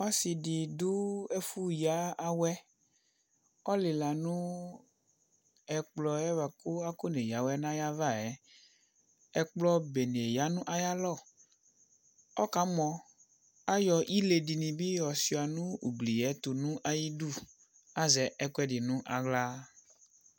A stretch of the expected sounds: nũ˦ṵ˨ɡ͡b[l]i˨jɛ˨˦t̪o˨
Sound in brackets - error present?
no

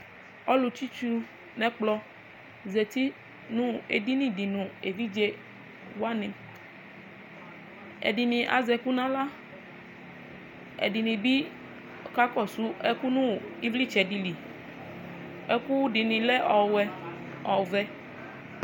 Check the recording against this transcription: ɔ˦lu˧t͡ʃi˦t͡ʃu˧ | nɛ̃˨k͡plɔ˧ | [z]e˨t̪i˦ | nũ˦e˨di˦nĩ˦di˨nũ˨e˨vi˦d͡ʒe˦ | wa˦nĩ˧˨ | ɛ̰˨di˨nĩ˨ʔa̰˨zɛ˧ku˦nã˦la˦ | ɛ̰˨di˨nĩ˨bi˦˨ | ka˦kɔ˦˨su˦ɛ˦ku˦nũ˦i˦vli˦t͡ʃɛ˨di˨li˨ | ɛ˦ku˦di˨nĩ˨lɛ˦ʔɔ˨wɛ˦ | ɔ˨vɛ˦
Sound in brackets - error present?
no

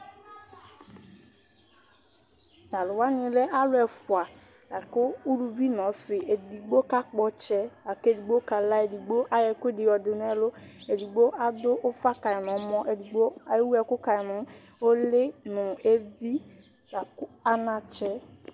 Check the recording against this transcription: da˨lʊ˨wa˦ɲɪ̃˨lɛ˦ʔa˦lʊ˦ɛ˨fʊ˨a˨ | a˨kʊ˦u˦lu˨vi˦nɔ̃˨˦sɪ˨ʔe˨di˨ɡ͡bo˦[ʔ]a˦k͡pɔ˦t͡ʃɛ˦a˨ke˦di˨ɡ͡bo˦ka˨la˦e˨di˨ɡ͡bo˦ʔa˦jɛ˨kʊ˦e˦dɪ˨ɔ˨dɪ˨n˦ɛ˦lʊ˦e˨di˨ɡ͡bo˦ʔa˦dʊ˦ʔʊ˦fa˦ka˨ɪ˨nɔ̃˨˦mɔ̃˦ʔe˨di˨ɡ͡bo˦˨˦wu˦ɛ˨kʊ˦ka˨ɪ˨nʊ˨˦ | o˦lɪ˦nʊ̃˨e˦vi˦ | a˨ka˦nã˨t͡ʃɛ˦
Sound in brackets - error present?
yes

